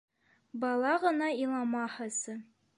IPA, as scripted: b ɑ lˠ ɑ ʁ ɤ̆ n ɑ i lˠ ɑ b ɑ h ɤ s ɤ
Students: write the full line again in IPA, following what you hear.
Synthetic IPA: b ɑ lˠ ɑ ʁ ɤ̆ n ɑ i lˠ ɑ m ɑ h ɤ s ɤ